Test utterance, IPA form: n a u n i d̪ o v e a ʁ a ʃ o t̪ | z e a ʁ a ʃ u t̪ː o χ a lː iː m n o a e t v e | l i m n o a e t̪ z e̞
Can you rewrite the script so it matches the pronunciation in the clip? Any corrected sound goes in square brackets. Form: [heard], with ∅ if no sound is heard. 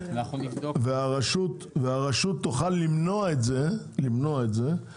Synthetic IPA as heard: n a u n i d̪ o v e a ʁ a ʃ [u] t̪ | [v] e a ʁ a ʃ u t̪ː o χ a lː [i] m n o a e t [z] e | l i m n o a e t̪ z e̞